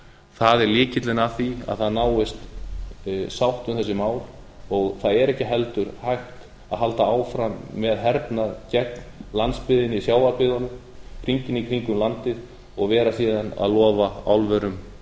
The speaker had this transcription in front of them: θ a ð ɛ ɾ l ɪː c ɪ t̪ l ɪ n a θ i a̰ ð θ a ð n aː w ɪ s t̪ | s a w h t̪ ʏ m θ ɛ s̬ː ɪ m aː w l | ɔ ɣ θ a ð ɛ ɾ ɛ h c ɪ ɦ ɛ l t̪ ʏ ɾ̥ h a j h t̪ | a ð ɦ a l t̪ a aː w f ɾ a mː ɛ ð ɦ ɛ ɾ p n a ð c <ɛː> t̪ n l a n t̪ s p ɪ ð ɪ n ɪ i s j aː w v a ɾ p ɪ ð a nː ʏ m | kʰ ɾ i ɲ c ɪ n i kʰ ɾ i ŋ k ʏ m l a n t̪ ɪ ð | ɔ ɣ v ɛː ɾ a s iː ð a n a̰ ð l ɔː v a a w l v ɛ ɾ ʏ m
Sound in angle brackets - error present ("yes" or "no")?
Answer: yes